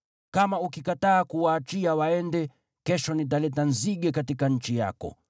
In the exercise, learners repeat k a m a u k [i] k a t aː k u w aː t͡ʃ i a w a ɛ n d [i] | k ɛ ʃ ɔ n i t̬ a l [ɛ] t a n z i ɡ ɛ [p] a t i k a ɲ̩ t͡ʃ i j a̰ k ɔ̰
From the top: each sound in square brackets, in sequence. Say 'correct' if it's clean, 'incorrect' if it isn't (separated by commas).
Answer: correct, incorrect, correct, incorrect